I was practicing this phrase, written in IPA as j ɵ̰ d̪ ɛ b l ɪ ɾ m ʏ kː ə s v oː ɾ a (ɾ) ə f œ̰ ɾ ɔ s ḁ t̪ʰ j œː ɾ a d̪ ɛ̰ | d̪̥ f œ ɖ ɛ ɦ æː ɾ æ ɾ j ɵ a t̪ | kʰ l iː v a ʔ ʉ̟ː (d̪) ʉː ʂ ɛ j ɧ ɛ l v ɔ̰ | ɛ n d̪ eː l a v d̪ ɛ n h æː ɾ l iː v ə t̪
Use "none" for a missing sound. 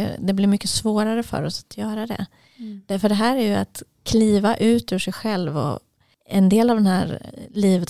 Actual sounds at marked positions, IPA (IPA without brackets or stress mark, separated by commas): ɾ, t̪